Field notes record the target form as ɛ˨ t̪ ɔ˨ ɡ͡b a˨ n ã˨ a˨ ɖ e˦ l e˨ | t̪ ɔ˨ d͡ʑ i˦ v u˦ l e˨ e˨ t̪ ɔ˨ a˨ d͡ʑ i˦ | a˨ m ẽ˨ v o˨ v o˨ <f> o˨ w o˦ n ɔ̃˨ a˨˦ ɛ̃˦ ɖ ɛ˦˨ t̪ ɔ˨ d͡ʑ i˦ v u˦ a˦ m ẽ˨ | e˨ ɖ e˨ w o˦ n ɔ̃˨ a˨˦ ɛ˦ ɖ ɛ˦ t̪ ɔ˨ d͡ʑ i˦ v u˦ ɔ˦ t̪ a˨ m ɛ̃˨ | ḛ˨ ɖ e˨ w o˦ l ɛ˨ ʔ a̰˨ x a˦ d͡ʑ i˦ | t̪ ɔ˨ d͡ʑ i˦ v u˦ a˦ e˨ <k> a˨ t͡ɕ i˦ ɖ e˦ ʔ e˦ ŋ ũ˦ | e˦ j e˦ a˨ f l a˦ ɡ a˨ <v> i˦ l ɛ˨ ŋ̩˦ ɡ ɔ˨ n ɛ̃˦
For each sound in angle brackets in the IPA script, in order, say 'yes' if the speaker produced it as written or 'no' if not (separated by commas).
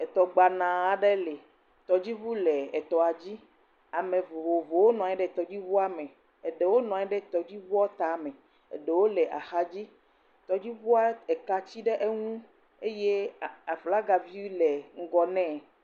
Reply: no, yes, yes